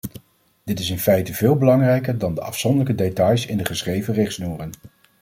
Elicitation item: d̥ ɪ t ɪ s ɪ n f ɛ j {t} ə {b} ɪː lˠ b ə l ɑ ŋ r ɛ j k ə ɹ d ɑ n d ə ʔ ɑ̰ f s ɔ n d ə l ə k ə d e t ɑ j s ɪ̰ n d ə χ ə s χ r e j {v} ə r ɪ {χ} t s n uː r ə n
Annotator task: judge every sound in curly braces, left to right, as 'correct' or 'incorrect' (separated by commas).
correct, incorrect, correct, correct